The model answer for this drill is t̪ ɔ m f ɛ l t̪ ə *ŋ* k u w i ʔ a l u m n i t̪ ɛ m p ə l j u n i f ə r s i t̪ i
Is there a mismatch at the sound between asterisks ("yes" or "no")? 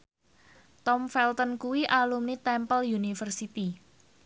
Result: yes